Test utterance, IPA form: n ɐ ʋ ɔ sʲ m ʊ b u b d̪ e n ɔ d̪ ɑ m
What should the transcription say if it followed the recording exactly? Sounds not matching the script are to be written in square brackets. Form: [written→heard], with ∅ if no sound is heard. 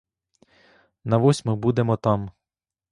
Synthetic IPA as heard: n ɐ ʋ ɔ sʲ m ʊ b u [b→∅] d̪ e [n→m] ɔ [d̪→t̪] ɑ m